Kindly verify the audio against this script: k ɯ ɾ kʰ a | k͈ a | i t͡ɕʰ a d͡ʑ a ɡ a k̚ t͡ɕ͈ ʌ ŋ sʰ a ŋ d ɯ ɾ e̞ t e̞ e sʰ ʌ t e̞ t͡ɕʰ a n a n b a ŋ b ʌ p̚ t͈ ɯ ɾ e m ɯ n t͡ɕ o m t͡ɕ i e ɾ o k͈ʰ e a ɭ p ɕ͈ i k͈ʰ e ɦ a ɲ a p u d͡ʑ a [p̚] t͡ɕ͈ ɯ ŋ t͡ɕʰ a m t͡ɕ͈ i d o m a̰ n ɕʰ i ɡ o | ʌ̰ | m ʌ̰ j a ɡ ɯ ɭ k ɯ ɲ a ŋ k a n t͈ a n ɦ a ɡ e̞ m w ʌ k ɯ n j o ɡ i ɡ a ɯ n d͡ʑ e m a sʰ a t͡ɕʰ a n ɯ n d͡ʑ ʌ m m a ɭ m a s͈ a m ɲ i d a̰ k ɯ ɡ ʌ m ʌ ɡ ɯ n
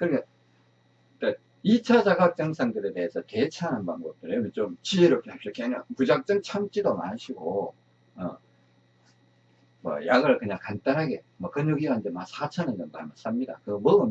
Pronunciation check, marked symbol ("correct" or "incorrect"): incorrect